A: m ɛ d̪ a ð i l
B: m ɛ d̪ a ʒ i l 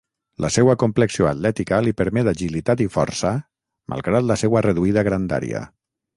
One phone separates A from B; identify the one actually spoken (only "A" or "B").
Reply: B